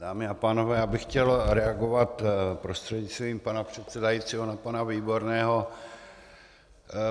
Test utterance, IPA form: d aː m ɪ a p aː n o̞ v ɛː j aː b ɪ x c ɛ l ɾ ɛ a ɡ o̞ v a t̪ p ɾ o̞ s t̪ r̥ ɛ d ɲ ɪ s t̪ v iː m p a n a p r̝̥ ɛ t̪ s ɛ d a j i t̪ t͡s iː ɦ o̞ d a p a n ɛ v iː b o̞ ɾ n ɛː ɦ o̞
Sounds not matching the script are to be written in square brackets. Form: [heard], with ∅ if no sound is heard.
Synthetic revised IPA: d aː m ɪ a p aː n o̞ v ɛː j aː b ɪ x c ɛ l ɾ ɛ a ɡ o̞ v a t̪ p ɾ o̞ s t̪ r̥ ɛ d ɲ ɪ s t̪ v iː m p a n a p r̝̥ ɛ t̪ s ɛ d a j i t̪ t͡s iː ɦ o̞ [n] a p a n [a] v iː b o̞ ɾ n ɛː ɦ o̞

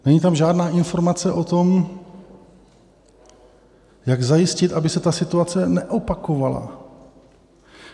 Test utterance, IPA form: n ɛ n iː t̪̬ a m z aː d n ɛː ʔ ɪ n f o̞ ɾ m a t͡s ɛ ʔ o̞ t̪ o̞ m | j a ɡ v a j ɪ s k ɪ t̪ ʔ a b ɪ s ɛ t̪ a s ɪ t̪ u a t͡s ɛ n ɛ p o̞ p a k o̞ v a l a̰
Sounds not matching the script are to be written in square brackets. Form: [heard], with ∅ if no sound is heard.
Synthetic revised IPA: n ɛ [ɲ] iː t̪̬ a m [ʒ] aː d n [aː] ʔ ɪ n f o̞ ɾ m a t͡s ɛ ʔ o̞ t̪ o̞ m | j a ɡ [z] a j ɪ s [c] ɪ t̪ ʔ a b ɪ s ɛ t̪ a s ɪ t̪ u a t͡s ɛ n ɛ [ʔ] o̞ p a k o̞ v a l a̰

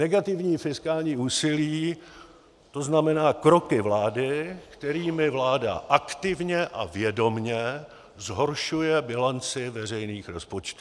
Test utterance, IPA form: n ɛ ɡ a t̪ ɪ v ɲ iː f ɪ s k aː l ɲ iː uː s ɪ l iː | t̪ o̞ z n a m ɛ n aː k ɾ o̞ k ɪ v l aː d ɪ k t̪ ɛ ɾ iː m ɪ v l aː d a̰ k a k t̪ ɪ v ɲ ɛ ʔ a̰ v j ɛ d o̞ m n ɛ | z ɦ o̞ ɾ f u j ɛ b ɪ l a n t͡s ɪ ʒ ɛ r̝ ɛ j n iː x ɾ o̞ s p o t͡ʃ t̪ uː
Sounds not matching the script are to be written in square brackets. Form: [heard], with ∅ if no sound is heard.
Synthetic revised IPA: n ɛ ɡ a t̪ ɪ v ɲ iː f ɪ s k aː l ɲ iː uː s ɪ l iː | t̪ o̞ z n a m ɛ n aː k ɾ o̞ k ɪ v l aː d ɪ k t̪ ɛ ɾ iː m ɪ v l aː d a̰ [ʔ] a k t̪ ɪ v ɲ ɛ ʔ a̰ v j ɛ d o̞ m [ɲ] ɛ | z ɦ o̞ ɾ [ʃ] u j ɛ b ɪ l a n t͡s ɪ [v] ɛ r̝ ɛ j n iː x ɾ o̞ s p o t͡ʃ t̪ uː

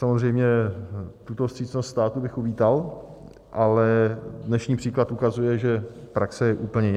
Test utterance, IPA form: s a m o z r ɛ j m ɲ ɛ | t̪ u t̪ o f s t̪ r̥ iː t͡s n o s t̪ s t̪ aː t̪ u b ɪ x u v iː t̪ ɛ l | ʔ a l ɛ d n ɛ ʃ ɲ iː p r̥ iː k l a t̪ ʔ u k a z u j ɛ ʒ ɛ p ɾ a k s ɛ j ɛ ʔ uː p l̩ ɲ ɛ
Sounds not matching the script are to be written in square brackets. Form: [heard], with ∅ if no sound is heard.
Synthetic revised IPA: s a m o z r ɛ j m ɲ ɛ | t̪ u t̪ o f s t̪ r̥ iː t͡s n o s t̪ s t̪ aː t̪ u b ɪ x u v iː t̪ [a] l | ʔ a l ɛ d n ɛ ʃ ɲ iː p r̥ iː k l a t̪ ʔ u k a z u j ɛ ʒ ɛ p ɾ a k s ɛ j ɛ ʔ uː p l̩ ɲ ɛ

